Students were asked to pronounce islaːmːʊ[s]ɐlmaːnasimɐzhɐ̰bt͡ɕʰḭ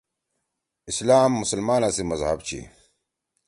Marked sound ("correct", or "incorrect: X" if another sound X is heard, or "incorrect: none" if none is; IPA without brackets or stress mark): correct